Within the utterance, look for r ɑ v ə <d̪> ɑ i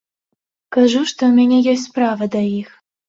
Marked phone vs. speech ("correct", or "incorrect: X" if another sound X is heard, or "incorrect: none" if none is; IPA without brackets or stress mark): correct